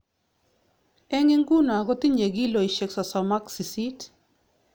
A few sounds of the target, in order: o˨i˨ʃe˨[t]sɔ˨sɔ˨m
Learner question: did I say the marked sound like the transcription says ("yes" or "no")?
no